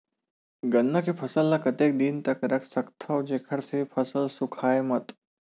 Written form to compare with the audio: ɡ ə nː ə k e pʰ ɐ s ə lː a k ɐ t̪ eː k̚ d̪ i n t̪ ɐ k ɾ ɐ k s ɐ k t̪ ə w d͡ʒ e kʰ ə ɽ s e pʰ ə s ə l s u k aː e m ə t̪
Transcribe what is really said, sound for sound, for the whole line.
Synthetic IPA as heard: ɡ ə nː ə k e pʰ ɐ s ə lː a k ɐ t̪ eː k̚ d̪ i n t̪ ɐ k ɾ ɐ k s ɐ k t̪ʰ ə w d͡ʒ e kʰ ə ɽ s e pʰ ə s ə l s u kʰ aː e m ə t̪